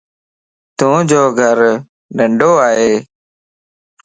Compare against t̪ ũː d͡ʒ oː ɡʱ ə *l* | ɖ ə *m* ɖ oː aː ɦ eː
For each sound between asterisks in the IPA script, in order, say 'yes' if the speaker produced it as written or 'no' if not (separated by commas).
no, no